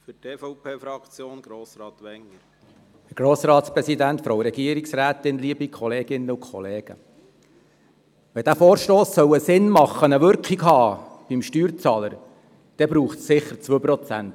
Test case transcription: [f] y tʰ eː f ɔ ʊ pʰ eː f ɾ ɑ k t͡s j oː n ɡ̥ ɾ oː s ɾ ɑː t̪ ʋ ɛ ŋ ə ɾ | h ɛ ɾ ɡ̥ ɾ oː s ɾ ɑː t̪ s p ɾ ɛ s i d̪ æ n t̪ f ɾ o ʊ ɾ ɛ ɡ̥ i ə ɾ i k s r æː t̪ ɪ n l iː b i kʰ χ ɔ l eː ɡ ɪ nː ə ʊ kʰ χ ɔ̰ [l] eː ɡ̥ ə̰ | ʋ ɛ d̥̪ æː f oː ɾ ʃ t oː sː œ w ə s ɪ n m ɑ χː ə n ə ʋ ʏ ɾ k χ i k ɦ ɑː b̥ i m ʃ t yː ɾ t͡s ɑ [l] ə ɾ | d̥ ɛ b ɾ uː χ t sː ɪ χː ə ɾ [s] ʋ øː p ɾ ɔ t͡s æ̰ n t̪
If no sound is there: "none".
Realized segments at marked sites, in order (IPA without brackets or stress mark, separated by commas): f, l, l, t͡s